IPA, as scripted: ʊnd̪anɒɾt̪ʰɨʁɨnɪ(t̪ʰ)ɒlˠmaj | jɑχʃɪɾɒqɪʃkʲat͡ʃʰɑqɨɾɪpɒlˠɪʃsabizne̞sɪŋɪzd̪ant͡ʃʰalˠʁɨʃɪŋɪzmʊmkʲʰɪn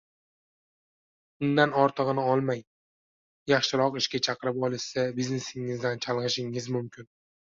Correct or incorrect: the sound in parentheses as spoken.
incorrect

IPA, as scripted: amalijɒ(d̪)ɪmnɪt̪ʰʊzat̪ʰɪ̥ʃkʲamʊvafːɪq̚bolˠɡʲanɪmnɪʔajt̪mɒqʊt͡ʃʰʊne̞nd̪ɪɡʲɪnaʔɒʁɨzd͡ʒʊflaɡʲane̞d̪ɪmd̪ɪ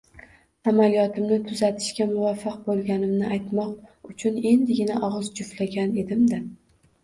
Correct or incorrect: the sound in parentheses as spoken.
incorrect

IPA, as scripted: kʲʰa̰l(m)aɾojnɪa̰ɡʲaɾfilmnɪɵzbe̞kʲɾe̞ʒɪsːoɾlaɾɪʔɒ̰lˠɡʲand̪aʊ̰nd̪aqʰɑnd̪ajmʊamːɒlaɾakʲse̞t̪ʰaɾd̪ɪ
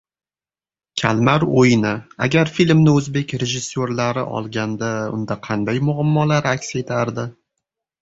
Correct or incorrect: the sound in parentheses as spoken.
correct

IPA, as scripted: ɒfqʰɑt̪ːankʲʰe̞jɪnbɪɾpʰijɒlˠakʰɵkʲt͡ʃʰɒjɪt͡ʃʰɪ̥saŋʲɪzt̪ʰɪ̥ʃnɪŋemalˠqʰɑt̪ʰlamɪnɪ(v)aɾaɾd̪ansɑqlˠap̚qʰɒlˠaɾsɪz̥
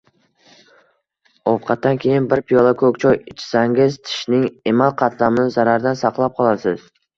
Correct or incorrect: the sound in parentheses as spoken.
incorrect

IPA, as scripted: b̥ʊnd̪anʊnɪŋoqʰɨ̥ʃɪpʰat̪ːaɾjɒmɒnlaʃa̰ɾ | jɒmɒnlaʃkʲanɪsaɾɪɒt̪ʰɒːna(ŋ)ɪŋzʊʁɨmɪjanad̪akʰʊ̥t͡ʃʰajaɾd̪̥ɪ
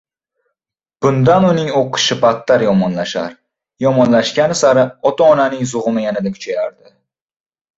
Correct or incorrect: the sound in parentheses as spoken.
incorrect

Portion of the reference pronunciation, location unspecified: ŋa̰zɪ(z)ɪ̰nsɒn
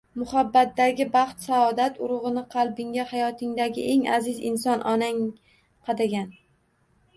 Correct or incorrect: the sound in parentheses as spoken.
correct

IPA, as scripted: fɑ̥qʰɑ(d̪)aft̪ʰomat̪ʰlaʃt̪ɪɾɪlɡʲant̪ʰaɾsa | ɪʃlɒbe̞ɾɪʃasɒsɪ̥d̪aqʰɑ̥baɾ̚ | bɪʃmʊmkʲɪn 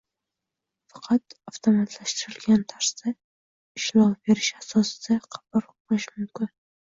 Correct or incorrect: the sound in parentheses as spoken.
incorrect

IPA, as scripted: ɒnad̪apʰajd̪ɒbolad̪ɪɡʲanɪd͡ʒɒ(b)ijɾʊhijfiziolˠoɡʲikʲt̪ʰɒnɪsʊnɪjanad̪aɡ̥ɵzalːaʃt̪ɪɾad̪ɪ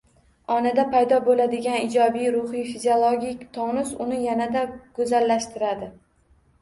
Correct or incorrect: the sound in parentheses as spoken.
correct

